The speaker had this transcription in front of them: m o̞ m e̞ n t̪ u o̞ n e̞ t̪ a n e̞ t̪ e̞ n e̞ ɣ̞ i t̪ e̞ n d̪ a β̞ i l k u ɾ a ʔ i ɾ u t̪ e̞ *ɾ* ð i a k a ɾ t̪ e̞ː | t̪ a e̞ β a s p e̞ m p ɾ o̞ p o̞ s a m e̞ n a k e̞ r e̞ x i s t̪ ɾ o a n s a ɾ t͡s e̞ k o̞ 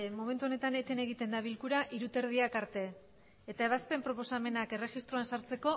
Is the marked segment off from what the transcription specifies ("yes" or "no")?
no